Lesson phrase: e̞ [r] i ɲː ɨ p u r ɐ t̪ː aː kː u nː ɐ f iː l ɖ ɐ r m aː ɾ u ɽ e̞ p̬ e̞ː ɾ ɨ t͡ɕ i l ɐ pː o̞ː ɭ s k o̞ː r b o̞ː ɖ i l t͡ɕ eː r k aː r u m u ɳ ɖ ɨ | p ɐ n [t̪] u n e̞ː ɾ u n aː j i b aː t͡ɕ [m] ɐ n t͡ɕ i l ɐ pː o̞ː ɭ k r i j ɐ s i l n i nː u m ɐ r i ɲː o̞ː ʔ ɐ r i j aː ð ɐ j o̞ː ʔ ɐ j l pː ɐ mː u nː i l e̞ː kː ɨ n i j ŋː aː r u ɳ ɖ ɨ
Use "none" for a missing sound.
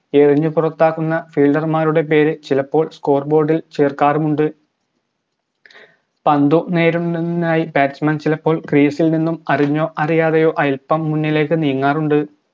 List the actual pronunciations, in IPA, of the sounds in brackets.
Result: r, d̪, m

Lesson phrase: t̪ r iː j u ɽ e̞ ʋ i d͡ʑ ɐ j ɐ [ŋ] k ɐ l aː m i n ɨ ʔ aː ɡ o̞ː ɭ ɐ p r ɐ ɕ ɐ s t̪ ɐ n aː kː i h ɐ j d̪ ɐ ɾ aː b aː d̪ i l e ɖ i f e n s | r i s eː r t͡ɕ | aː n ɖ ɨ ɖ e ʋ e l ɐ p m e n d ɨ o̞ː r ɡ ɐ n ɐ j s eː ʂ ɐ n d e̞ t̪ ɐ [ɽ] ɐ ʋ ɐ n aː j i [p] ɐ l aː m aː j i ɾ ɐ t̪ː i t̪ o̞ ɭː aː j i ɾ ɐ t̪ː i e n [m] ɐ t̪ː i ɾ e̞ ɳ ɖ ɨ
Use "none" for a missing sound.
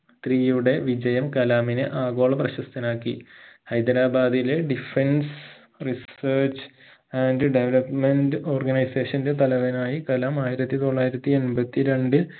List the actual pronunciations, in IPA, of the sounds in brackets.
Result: m, l, k, b

